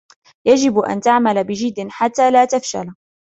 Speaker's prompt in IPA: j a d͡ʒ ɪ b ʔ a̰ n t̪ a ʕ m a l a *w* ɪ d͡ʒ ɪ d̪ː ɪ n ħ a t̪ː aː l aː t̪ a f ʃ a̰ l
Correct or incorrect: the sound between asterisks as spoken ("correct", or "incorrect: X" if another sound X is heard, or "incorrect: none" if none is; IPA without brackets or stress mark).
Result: incorrect: b